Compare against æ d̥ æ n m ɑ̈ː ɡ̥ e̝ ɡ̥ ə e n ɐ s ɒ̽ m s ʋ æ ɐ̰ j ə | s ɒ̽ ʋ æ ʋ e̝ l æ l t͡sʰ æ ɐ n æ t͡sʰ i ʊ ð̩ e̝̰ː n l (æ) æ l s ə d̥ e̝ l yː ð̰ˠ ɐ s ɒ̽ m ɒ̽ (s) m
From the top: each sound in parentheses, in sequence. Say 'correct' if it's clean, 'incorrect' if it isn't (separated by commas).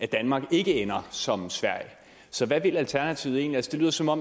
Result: incorrect, incorrect